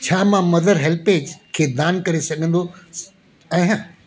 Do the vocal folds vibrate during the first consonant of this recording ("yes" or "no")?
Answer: no